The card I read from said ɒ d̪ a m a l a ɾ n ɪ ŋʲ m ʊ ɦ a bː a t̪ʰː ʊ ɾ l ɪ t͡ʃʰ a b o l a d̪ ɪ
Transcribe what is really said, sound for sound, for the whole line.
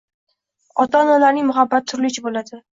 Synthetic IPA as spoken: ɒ t̪ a n a l a ɾ n ɪ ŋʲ m ʊ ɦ a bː a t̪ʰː ʊ ɾ l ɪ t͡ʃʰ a b o l a d̪ ɪ

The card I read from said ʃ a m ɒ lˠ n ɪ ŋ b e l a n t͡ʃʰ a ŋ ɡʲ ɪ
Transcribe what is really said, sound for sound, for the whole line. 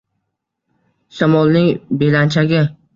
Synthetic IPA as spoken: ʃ a m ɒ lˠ n ɪ ŋ b e l a n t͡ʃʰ a ɡʲ ɪ

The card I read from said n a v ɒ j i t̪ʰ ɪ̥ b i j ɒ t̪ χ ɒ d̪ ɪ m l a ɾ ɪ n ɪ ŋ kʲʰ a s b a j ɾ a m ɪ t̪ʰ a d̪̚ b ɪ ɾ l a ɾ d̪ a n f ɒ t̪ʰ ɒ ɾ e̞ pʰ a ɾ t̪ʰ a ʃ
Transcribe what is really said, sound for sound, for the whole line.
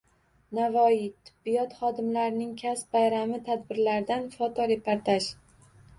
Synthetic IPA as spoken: n a v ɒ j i t̪ʰ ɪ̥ bː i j ɒ t̪ χ ɒ d̪ ɪ m l a ɾ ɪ n ɪ ŋ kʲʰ a s b a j ɾ a m ɪ t̪ʰ a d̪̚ b ɪ ɾ l a ɾ d̪ a n f ɒ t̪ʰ ɒ ɾ e̞ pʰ a ɾ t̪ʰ a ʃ

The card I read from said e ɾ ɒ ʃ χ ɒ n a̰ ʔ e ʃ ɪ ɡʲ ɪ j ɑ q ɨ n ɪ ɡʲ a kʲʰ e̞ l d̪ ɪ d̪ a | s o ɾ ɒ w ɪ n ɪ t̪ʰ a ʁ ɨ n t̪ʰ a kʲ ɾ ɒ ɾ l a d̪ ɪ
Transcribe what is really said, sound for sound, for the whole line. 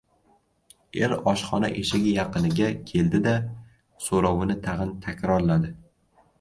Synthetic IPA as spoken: e ɾ ɒ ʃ χ ɒ n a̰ ʔ e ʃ ɪ ɡʲ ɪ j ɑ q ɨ n ɪ ɡʲ a kʲʰ e̞ l d̪ ɪ d̪ a | s o ɾ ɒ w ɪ n ɪ t̪ʰ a ʁ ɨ n t̪ʰ a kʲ ɾ ɒ ɾ l a d̪ ɪ

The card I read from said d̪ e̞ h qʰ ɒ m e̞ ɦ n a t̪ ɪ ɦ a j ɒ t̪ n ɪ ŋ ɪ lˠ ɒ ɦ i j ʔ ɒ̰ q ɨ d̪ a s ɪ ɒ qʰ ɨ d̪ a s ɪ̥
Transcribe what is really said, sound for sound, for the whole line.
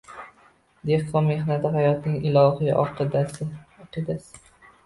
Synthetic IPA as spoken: d̪ e̞ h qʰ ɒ m e̞ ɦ n a t̪ ɪ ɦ a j ɒ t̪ n ɪ ŋ ɪ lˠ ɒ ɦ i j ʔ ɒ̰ q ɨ d̪ a s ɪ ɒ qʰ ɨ d̪ a s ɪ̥

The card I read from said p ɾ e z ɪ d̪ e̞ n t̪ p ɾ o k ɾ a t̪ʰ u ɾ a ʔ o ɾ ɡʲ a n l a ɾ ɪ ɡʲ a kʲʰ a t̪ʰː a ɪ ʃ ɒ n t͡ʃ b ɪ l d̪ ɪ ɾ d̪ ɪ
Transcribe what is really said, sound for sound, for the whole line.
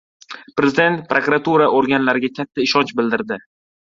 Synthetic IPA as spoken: p ɾ e z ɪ d̪ e̞ n t̪ p ɾ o k ɾ a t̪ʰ u ɾ a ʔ o ɾ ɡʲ a n l a ɾ ɪ ɡʲ a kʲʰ a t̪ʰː a ɪ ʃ ɒ n t͡ʃ b ɪ l d̪ ɪ ɾ d̪ ɪ

